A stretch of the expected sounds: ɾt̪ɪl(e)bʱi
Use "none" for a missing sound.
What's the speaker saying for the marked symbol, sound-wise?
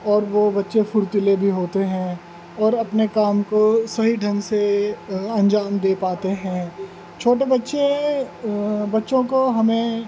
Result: e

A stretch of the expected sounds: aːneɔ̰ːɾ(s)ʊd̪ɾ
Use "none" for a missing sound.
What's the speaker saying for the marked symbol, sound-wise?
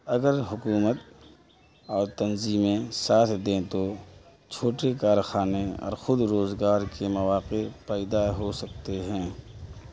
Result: x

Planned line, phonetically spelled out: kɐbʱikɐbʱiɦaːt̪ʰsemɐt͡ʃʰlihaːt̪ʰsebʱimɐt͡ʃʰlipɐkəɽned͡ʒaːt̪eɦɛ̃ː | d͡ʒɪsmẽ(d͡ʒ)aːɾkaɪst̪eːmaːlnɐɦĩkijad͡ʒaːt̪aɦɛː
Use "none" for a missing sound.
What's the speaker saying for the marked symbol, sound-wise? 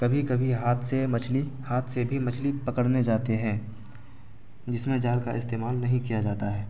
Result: d͡ʒ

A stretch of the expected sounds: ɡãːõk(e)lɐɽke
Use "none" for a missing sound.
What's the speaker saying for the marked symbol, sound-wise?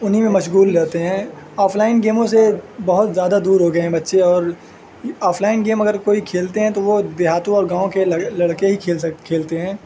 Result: e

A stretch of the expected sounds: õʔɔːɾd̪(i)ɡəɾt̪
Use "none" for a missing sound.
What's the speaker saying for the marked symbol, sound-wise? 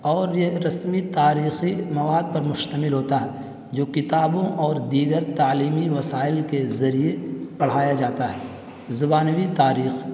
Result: iː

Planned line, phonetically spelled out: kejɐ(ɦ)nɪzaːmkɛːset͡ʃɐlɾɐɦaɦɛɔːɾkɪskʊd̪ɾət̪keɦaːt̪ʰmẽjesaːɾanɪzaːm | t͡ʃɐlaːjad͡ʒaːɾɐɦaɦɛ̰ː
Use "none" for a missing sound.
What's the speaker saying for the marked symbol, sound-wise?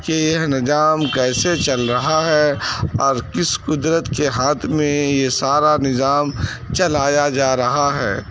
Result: ɦ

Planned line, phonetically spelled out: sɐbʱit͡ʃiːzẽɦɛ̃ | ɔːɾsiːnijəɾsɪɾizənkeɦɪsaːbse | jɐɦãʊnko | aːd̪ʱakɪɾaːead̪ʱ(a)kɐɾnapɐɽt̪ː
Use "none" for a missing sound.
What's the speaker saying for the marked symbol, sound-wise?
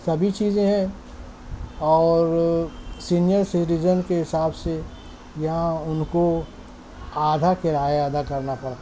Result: a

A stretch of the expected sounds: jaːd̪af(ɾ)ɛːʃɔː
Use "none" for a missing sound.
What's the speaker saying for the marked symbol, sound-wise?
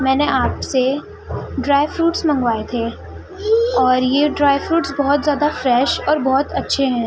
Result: ɾ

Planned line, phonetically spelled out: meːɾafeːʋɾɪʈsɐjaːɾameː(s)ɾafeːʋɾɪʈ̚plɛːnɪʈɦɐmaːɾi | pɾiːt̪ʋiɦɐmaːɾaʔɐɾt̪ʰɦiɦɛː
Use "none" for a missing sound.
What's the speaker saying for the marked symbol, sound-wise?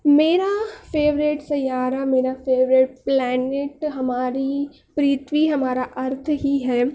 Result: none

